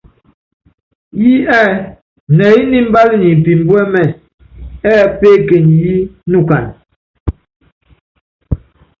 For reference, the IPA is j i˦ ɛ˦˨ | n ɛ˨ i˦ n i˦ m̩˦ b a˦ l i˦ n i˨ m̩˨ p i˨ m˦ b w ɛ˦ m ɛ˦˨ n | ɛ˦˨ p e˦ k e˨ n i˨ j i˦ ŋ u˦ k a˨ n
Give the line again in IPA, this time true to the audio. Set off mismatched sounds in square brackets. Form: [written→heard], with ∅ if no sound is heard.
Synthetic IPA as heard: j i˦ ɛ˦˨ | n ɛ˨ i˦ n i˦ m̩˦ b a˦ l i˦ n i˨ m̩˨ p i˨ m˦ b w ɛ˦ m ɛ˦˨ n | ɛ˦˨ p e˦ k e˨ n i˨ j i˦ [ŋ→n] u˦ k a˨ n